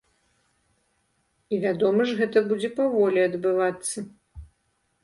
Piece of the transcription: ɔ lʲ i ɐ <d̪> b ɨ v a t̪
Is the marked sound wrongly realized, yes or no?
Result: no